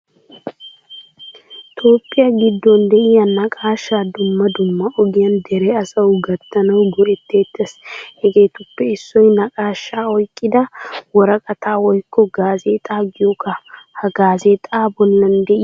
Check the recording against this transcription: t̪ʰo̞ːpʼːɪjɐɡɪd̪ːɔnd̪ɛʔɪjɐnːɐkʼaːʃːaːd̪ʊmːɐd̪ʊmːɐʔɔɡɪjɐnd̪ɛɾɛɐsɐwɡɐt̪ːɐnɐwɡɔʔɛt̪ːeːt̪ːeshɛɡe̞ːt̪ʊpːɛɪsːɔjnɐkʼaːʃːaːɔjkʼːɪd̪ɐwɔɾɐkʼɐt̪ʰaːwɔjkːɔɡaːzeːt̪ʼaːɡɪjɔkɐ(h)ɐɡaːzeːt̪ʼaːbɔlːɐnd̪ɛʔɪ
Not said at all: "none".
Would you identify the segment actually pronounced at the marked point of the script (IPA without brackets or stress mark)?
h